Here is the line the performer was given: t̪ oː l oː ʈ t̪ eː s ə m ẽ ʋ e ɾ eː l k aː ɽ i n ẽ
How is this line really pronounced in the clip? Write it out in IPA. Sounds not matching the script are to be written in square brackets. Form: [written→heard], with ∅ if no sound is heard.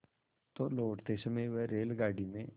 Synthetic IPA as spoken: t̪ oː l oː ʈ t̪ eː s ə m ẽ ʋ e ɾ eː l [k→ɡ] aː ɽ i [n→m] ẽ

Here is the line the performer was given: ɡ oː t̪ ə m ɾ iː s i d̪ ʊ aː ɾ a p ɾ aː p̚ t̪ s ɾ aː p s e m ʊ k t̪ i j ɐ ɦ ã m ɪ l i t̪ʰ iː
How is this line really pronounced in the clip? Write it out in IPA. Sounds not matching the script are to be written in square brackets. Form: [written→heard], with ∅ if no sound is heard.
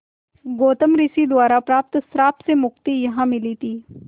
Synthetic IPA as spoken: ɡ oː t̪ ə m ɾ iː s i d̪ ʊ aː ɾ a p ɾ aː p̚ t̪ s ɾ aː p s e m ʊ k t̪ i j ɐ ɦ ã m ɪ l i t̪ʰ iː

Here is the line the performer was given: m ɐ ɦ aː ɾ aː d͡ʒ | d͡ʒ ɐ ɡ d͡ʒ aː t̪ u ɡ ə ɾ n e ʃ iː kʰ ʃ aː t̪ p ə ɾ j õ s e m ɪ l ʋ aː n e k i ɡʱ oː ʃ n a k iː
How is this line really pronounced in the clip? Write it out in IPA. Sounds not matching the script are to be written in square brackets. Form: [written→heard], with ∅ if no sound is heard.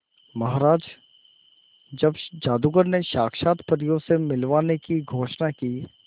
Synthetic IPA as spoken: m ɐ ɦ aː ɾ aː d͡ʒ | d͡ʒ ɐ [ɡ→b] d͡ʒ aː [t̪→d̪] u ɡ ə ɾ n e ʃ [iː→aː] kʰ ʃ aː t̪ p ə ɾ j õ s e m ɪ l ʋ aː n e k i ɡʱ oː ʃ n a k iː

